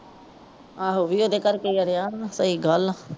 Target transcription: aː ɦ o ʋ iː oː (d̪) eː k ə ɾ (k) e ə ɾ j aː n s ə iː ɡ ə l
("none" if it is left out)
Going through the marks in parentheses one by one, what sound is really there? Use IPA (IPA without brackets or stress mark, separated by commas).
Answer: d̪, k